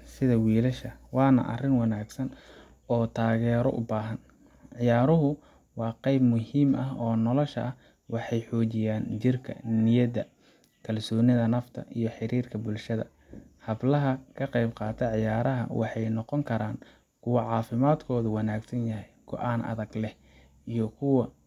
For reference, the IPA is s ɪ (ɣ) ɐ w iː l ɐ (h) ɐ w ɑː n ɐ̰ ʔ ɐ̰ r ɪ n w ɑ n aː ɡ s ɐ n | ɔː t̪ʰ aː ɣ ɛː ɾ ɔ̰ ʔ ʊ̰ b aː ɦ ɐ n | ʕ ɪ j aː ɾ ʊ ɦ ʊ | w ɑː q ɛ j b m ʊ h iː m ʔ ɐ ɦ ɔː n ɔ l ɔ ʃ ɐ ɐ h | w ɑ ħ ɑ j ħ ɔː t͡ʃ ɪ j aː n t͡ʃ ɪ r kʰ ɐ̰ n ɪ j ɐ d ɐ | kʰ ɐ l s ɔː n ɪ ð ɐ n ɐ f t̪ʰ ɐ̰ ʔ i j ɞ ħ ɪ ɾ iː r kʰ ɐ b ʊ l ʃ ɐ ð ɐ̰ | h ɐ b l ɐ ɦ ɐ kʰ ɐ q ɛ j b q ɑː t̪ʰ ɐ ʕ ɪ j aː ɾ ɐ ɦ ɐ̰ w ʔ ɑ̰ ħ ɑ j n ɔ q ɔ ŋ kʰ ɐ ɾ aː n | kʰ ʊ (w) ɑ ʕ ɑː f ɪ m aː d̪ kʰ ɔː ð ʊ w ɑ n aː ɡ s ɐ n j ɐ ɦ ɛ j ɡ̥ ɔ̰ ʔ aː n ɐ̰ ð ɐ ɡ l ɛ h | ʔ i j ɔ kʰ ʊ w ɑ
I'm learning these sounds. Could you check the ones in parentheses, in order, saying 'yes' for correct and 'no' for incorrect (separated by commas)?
no, no, yes